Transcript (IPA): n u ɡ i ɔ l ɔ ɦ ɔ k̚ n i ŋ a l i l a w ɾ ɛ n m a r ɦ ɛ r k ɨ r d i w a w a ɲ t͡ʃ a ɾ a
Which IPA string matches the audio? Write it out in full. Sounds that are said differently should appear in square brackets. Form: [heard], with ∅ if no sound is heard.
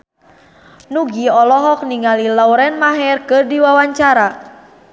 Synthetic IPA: n u ɡ i ɔ l ɔ ɦ ɔ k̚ n i ŋ a l i l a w ɾ ɛ n m a [∅] ɦ ɛ r k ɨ r d i w a w a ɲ t͡ʃ a ɾ a